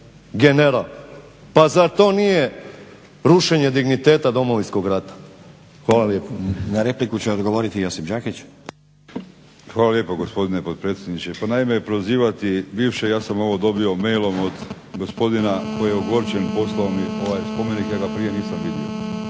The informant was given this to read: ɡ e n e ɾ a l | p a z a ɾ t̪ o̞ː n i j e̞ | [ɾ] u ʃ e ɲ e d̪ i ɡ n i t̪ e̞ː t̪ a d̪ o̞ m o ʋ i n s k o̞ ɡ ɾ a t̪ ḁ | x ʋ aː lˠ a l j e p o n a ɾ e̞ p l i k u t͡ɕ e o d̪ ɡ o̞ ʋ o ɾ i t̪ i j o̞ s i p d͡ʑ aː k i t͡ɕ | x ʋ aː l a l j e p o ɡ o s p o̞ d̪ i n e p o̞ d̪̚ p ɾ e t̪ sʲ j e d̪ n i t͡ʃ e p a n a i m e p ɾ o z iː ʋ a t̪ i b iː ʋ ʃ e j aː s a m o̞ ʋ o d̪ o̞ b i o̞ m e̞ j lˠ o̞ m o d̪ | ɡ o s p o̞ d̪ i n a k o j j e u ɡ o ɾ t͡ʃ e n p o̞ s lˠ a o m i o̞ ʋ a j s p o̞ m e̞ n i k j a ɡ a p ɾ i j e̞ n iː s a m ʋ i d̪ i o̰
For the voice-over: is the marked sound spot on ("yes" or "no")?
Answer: yes